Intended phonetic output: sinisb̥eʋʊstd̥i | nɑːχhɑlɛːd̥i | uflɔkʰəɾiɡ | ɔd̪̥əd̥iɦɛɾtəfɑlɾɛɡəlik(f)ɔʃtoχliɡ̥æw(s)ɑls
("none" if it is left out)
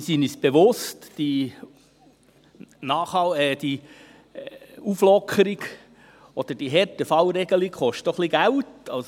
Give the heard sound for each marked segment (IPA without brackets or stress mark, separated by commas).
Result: χ, t